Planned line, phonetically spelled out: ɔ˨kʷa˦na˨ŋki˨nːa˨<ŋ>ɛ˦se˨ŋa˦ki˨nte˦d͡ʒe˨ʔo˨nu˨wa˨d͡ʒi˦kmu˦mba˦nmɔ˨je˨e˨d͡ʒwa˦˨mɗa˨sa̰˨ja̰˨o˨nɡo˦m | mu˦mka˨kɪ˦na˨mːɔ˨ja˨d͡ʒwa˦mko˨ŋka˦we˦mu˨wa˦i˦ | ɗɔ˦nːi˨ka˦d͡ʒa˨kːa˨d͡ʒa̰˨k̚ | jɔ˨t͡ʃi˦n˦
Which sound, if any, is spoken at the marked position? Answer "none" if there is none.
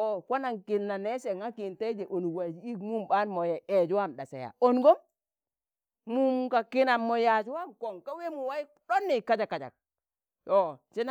n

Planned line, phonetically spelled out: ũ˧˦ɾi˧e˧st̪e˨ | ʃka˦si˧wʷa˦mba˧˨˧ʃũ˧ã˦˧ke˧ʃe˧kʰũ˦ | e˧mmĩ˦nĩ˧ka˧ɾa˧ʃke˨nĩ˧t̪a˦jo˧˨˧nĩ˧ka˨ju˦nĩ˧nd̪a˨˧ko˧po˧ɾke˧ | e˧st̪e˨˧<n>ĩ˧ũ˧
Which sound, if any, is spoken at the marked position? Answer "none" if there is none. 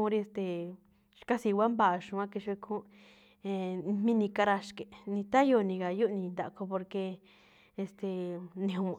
n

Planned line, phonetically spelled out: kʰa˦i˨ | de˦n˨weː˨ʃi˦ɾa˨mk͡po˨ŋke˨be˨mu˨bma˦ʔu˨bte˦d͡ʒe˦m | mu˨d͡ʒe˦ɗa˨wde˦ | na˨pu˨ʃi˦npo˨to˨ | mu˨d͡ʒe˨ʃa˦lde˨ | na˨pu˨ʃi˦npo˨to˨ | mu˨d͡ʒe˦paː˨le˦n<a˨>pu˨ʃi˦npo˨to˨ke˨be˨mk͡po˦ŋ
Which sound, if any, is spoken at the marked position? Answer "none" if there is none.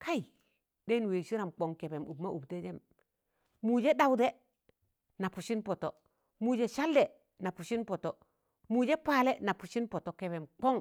a˨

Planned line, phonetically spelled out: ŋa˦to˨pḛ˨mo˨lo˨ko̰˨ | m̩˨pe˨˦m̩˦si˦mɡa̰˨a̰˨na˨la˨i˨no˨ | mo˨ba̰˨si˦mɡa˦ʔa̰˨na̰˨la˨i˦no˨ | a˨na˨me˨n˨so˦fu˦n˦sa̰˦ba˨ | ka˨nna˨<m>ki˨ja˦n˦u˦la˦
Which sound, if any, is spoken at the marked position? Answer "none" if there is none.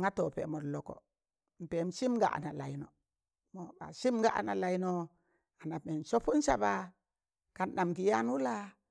m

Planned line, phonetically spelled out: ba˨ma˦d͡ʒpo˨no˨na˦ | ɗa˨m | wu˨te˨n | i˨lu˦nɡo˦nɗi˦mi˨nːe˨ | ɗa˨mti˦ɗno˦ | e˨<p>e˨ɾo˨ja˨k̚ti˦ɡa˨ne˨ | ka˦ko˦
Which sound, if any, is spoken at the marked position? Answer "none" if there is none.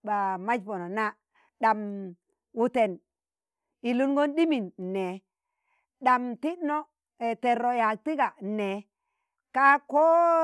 t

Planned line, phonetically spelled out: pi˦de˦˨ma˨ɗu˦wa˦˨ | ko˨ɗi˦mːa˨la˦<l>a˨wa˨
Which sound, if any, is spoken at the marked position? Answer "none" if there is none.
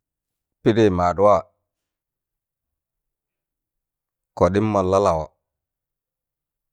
l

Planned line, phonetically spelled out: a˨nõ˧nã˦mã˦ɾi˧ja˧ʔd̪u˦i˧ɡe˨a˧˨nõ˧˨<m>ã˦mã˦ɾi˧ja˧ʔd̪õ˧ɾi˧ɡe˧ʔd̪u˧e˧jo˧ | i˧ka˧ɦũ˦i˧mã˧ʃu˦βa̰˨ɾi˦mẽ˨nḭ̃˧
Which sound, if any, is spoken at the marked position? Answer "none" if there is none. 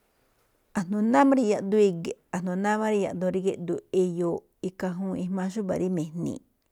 n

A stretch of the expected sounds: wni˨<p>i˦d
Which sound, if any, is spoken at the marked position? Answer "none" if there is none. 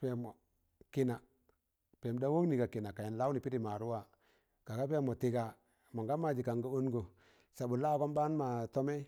p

